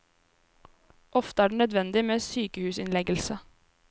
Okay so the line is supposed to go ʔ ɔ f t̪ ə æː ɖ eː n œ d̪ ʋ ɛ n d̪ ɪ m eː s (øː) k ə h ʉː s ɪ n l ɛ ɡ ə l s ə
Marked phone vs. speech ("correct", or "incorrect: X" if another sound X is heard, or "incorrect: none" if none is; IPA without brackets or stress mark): incorrect: yː